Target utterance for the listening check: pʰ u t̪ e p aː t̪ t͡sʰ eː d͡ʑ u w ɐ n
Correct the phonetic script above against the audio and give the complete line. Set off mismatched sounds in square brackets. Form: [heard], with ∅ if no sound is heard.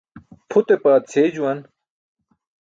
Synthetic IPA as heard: pʰ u t̪ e p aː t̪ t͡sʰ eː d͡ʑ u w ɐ n

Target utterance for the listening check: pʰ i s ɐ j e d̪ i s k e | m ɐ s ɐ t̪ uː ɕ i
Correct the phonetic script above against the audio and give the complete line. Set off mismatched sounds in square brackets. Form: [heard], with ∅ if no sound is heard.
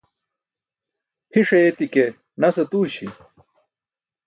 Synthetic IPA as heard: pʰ i [ʂ] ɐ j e [t̪] i [∅] k e | [n] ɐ s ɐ t̪ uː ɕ i

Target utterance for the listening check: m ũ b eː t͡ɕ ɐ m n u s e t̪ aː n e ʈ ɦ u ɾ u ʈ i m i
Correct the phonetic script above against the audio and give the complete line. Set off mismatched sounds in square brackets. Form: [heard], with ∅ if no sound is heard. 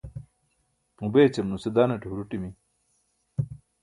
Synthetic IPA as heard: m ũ b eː t͡ɕ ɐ m n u s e [d̪] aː n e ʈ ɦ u ɾ u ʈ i m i

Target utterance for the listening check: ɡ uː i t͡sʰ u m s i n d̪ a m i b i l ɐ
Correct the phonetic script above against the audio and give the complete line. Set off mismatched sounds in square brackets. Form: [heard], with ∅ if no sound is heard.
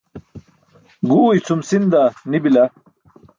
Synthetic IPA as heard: ɡ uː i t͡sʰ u m s i n d̪ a [n] i b i l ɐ

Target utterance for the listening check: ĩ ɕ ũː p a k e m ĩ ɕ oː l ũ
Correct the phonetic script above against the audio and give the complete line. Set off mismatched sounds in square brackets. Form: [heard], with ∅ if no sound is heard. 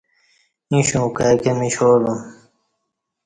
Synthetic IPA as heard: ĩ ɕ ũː [k] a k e m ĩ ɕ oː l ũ

